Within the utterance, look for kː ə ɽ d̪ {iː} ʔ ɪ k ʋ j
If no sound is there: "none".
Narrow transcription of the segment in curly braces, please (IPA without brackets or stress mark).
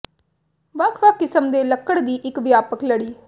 iː